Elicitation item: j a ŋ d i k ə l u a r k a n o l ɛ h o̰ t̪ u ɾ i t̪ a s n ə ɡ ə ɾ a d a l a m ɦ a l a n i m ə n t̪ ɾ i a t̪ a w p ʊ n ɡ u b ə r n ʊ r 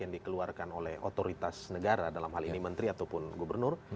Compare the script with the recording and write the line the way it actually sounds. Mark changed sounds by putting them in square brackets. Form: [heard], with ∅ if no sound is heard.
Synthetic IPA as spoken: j a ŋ d i k ə l u a r k a n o l ɛ h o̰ t̪ [o] ɾ i t̪ a s n ə ɡ [a] ɾ a d a l a m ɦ a l [i] n i m ə n t̪ ɾ i a t̪ a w p ʊ n ɡ u b ə r n ʊ r